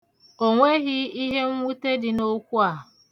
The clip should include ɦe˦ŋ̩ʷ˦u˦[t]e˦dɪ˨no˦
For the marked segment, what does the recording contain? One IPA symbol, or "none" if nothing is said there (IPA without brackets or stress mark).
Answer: t